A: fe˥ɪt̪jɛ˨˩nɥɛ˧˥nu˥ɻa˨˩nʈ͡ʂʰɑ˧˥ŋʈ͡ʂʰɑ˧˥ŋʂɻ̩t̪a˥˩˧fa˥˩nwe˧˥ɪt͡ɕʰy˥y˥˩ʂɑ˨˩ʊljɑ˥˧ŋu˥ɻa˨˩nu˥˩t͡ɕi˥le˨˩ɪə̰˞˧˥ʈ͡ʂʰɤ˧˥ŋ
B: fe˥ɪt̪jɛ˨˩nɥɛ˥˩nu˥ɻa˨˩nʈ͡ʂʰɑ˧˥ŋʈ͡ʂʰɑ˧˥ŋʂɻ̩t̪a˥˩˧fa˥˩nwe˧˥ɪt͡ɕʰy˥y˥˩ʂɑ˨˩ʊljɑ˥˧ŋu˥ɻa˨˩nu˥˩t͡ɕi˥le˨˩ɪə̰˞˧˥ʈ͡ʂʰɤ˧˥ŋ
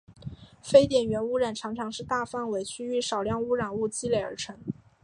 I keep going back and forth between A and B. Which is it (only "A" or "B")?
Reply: A